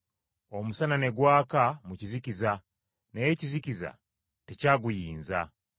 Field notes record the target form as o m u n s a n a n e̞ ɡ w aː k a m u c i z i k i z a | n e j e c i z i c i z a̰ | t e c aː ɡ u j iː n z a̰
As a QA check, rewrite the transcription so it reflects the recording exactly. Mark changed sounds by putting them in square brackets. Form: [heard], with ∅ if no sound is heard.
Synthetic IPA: o m u [∅] s a n a n e̞ ɡ w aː k a m u c i z i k i z a | n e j e c i z i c i z a̰ | t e c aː ɡ u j iː n z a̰